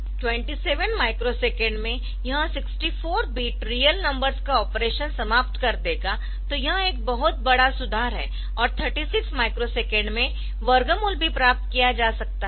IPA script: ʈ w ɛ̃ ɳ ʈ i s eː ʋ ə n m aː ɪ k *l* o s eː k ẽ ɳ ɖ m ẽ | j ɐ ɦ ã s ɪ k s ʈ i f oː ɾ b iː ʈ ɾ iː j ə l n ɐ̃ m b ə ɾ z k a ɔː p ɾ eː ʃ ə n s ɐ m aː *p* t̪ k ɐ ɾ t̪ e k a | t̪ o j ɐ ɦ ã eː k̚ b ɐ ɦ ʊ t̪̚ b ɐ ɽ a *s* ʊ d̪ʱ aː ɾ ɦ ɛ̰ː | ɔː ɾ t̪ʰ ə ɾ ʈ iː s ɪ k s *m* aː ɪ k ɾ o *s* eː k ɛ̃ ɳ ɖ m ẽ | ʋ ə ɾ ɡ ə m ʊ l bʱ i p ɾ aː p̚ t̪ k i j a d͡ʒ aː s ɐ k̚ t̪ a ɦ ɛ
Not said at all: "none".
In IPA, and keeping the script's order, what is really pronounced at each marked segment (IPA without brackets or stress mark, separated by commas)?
ɾ, p, s, m, s